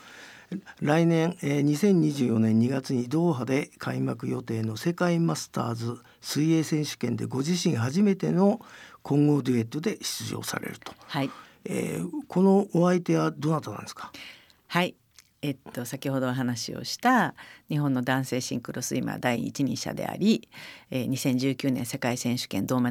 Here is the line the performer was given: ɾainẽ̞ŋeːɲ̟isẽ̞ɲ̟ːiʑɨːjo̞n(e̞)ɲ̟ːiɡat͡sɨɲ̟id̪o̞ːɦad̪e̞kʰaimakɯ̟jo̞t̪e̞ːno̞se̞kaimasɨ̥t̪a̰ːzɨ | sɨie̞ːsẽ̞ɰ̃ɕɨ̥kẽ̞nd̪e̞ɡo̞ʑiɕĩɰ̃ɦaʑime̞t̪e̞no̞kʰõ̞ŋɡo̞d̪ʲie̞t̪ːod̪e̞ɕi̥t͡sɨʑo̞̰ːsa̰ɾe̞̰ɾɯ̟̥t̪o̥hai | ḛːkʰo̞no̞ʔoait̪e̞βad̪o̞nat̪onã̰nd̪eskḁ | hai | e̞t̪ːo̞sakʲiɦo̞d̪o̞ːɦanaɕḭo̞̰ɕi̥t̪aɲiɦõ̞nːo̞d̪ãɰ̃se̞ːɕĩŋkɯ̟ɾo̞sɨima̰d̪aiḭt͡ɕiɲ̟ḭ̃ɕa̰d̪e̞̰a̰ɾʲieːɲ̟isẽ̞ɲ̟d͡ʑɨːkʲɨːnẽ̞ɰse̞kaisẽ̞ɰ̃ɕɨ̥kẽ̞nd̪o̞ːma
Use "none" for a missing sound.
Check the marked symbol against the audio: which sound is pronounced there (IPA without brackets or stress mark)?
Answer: ẽ̞